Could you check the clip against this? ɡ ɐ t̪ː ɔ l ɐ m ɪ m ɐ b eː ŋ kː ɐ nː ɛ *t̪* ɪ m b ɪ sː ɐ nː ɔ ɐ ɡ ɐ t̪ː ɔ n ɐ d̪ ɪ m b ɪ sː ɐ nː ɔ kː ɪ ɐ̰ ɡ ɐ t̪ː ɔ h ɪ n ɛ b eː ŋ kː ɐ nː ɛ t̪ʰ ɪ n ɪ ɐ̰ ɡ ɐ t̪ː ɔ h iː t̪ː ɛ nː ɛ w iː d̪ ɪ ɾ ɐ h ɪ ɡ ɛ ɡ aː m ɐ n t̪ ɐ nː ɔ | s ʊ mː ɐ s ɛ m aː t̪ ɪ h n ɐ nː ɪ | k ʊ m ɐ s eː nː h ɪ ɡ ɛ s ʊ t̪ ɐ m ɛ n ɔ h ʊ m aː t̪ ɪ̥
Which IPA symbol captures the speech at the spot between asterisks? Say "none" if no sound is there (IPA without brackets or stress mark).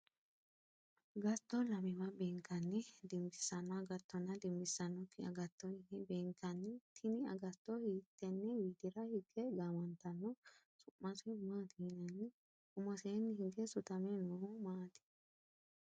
d̪